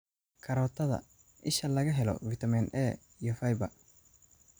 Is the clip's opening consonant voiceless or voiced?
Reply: voiceless